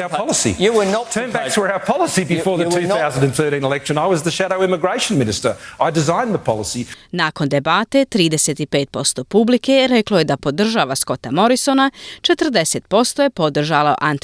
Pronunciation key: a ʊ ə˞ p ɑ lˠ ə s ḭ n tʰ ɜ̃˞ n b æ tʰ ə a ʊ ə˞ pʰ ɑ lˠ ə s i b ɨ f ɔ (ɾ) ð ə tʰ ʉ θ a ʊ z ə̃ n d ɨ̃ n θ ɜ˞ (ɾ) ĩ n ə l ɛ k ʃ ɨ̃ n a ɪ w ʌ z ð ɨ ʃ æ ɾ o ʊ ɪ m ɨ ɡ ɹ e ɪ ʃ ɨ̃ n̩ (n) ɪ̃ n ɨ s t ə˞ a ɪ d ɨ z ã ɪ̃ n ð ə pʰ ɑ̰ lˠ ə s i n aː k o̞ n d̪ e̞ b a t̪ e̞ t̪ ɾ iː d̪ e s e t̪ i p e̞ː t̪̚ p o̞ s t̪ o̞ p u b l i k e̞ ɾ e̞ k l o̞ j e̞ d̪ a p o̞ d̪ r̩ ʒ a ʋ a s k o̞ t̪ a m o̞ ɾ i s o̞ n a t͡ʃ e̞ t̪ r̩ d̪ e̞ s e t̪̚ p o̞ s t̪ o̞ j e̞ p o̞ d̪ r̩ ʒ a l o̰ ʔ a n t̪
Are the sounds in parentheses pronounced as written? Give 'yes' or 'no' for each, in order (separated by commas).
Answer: no, yes, no